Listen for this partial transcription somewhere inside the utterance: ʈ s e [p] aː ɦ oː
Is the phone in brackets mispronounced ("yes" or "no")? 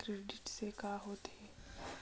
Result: yes